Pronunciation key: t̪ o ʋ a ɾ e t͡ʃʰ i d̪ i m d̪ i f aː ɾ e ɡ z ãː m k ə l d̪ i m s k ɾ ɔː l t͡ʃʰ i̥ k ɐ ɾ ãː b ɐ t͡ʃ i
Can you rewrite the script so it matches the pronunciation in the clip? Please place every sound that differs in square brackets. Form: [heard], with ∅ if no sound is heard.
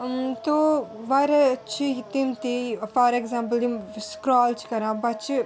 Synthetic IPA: t̪ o ʋ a ɾ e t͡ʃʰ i [t̪] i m [t̪] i f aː ɾ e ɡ z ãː m [p] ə l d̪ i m s k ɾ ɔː l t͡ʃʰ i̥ k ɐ ɾ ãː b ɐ t͡ʃ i